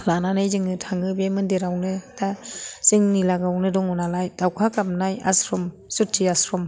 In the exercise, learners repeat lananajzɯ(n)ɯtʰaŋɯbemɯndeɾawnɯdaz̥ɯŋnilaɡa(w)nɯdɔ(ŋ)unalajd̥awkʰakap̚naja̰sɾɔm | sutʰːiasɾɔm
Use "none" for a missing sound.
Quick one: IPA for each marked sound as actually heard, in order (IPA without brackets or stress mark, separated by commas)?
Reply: ŋ, w, ŋ